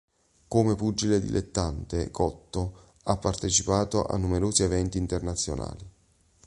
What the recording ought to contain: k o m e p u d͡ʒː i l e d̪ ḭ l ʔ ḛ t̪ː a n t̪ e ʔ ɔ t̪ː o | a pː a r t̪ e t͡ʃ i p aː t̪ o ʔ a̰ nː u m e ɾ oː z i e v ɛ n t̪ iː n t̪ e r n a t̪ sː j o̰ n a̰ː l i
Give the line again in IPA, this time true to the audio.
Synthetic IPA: k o m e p u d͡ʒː i l e d̪ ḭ l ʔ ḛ t̪ː a n t̪ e k ɔ t̪ː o | a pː a r t̪ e t͡ʃ i p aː t̪ o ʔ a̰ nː u m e ɾ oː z i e v ɛ n t̪ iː n t̪ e r n a t̪ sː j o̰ n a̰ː l i